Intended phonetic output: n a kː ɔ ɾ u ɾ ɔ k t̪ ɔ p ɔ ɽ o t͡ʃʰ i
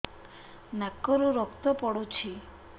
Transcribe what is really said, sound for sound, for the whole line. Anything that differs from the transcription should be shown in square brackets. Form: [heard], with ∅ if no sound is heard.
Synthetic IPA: n a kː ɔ ɾ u ɾ ɔ k t̪ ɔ p ɔ ɽ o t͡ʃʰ i